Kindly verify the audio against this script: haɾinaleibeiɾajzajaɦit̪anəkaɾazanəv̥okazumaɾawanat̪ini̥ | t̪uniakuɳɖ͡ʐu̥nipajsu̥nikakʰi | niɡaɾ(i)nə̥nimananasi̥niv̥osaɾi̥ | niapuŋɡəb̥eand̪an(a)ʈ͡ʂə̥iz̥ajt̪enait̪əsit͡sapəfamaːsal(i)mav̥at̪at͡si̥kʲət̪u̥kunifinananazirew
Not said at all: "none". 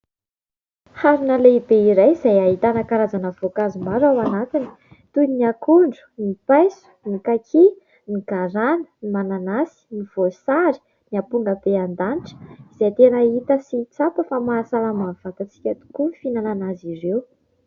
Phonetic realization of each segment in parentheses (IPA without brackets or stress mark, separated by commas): a, i, a